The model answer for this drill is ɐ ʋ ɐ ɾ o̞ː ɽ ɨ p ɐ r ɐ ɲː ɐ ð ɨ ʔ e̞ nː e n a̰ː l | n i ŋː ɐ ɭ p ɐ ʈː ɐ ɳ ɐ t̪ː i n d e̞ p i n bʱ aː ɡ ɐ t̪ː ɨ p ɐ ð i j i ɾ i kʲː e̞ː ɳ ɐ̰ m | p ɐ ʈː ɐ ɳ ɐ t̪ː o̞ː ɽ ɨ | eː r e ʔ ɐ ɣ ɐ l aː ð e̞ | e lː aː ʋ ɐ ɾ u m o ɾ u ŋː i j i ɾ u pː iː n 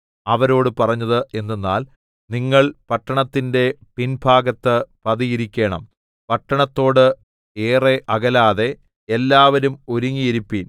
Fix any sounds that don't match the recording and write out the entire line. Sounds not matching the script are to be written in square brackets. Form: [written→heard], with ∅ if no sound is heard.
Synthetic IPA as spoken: ɐ ʋ ɐ ɾ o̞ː ɽ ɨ p ɐ r ɐ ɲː ɐ ð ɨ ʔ e̞ nː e [n→nː] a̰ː l | n i ŋː ɐ ɭ p ɐ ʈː ɐ ɳ ɐ t̪ː i n d e̞ p i n bʱ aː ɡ ɐ t̪ː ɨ p ɐ ð i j i ɾ i kʲː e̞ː ɳ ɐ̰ m | p ɐ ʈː ɐ ɳ ɐ t̪ː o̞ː ɽ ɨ | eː r e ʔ ɐ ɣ ɐ l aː ð e̞ | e lː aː ʋ ɐ ɾ u m o ɾ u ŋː i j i ɾ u pː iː n